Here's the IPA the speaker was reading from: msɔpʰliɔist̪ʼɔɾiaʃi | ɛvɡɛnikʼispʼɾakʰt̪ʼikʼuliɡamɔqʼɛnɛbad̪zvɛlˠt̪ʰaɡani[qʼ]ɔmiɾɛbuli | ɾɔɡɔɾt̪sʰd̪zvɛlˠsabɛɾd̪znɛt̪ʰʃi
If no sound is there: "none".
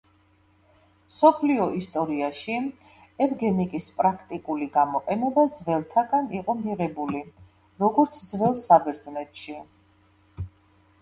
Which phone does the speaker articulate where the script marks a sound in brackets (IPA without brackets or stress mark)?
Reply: qʼ